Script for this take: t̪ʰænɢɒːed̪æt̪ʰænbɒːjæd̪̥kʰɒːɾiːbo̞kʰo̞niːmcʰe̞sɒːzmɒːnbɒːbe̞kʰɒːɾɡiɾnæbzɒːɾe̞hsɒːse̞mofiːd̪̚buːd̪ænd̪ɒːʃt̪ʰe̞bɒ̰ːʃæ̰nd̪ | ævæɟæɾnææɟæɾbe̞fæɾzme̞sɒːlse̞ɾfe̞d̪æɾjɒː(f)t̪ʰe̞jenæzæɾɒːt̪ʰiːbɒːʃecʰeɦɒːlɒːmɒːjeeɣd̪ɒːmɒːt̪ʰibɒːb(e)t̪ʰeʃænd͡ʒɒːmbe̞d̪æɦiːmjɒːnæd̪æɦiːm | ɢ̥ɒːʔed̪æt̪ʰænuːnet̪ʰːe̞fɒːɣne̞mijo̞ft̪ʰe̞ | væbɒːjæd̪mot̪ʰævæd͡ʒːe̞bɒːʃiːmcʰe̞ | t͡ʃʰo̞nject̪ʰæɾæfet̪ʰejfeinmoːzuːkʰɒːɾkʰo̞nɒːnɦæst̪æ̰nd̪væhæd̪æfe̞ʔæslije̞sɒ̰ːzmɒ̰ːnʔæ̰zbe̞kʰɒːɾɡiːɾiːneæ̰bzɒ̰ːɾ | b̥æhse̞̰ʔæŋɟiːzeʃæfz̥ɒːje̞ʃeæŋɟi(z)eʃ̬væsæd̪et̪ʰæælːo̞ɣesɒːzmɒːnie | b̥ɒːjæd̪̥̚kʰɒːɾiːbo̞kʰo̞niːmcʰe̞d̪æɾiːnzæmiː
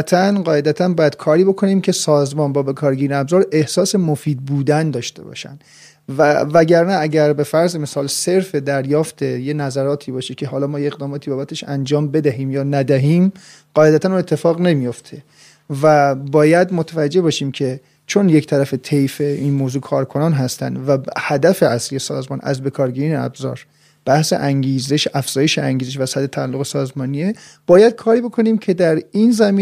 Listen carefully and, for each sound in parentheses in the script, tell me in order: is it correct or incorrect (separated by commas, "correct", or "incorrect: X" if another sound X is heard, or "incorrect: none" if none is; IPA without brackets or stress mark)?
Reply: correct, incorrect: æ, correct